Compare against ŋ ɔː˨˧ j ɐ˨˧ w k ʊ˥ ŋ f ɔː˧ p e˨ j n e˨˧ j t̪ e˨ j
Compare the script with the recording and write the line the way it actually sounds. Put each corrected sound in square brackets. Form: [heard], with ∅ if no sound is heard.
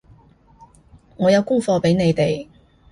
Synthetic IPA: ŋ ɔː˨˧ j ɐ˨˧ w k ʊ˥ ŋ f ɔː˧ p [e˨˥] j n e˨˧ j t̪ e˨ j